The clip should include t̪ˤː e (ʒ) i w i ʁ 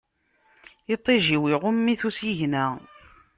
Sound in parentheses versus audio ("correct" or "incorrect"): correct